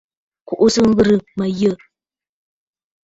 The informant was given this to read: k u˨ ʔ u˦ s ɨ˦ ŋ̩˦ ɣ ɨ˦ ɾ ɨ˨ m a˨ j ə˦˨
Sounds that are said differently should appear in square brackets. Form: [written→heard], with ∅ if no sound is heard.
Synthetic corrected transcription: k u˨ ʔ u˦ s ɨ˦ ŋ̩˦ ɣ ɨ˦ ɾ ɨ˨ m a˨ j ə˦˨